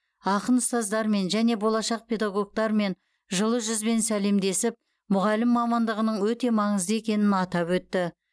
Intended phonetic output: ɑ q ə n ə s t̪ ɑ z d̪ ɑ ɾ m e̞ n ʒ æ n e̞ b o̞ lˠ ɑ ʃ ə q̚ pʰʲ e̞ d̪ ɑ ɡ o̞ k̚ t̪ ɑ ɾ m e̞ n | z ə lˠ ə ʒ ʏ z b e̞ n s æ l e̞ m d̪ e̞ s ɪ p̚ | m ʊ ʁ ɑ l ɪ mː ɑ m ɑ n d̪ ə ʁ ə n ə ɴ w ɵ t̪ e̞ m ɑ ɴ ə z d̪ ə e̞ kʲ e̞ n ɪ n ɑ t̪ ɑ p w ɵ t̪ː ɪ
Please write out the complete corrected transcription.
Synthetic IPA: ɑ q ə n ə s t̪ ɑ z d̪ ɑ ɾ m e̞ n ʒ æ n e̞ b o̞ lˠ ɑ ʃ ɑ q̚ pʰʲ e̞ d̪ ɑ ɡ o̞ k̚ t̪ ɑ ɾ m e̞ n | ʒ ə lˠ ə ʒ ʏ z b e̞ n s æ l e̞ m d̪ e̞ s ɪ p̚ | m ʊ ʁ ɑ l ɪ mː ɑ m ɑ n d̪ ə ʁ ə n ə ɴ w ɵ t̪ e̞ m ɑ ɴ ə z d̪ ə e̞ kʲ e̞ n ɪ n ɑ t̪ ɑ p w ɵ t̪ː ɪ